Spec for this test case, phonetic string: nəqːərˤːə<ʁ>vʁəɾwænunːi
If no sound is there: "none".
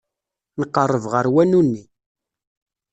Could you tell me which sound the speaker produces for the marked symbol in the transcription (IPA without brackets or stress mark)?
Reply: none